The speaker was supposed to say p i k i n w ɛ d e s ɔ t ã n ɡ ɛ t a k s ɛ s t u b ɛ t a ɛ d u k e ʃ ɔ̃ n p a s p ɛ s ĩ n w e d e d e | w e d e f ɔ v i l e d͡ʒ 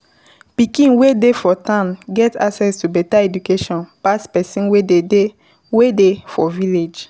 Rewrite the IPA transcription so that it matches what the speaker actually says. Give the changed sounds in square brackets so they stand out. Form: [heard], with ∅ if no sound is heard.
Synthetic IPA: p i k [ĩ] n w [e] d e [f] ɔ t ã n ɡ ɛ t a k s ɛ s t u b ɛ t a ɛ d u k e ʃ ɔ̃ n p a s p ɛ s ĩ n w e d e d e | w e d e f ɔ v i l e d͡ʒ